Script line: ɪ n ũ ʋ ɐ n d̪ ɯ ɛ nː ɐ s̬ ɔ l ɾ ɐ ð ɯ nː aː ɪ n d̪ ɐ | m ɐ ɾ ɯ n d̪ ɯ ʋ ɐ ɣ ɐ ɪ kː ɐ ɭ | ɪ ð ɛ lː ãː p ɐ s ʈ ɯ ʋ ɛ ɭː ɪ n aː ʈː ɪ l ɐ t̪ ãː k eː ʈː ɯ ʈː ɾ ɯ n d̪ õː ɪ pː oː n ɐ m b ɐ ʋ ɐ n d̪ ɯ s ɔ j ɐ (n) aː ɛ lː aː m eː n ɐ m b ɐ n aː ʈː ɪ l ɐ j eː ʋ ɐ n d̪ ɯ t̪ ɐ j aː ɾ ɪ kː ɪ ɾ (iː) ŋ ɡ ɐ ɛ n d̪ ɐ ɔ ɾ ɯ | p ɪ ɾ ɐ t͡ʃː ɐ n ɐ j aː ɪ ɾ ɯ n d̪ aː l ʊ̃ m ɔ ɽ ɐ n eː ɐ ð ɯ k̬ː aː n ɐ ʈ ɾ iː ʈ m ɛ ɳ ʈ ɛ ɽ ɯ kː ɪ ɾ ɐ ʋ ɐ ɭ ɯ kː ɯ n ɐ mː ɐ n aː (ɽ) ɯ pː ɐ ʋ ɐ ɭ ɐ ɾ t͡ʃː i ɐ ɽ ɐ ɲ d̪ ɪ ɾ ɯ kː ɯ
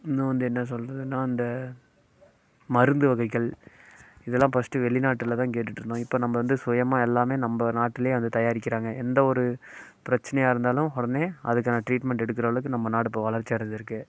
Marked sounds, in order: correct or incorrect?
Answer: incorrect, incorrect, correct

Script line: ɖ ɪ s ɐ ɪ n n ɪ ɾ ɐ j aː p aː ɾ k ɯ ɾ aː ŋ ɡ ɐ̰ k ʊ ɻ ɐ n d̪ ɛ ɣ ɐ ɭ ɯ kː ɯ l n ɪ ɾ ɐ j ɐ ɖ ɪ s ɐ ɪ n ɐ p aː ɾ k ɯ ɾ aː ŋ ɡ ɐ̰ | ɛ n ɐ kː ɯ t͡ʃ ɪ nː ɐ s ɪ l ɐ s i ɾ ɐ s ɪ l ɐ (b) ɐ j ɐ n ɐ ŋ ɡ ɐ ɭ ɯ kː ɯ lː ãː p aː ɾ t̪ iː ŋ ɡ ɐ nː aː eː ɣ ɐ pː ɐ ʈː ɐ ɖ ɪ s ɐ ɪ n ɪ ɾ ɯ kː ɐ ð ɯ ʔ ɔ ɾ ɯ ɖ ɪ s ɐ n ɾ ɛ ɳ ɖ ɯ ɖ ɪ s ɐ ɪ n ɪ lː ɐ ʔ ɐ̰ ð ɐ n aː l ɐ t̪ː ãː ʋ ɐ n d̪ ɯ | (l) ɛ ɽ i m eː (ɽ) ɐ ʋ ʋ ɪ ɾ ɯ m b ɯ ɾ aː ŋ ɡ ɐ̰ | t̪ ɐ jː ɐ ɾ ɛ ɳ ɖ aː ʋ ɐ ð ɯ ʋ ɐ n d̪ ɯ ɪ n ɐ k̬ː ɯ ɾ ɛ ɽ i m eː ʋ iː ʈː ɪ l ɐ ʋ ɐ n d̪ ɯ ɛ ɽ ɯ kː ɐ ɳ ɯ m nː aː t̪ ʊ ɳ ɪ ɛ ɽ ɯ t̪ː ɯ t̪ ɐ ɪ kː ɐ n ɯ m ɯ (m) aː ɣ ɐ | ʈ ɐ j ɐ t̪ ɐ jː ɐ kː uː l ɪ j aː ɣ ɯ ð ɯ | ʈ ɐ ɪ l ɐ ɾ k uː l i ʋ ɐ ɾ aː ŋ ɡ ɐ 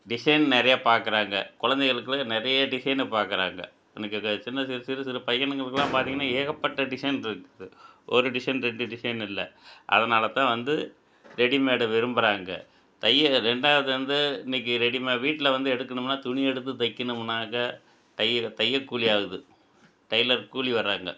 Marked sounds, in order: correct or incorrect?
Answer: incorrect, incorrect, correct, incorrect

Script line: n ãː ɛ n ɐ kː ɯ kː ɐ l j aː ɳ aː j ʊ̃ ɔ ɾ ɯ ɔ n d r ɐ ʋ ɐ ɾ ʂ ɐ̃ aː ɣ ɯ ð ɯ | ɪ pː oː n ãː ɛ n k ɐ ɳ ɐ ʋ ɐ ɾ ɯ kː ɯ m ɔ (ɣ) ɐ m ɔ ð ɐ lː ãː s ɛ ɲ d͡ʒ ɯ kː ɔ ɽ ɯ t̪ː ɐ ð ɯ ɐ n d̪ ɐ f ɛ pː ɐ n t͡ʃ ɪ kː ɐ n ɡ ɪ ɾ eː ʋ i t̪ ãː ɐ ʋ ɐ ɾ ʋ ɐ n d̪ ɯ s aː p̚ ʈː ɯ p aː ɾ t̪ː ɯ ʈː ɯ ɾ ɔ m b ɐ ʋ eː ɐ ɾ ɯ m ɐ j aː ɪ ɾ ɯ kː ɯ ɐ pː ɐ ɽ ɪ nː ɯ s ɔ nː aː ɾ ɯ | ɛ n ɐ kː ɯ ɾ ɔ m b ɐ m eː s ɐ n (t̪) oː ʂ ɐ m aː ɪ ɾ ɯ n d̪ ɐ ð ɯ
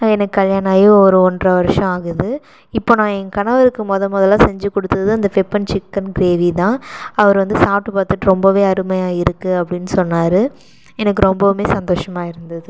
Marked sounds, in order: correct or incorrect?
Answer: incorrect, incorrect

